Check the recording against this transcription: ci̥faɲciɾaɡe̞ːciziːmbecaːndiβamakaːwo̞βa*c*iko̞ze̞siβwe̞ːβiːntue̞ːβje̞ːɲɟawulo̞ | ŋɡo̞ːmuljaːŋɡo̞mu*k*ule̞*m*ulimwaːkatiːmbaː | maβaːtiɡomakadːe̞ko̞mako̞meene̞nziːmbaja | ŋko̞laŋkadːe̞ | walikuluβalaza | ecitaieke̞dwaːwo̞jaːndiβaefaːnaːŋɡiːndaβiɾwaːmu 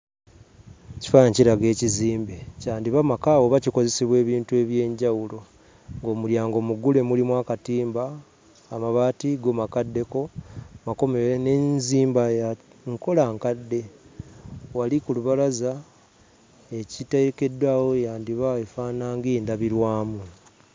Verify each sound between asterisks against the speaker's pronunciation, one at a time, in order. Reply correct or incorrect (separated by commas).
correct, incorrect, correct